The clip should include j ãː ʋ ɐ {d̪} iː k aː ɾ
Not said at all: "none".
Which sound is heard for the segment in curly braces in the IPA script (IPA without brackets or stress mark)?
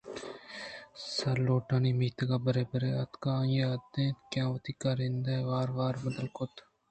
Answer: t̪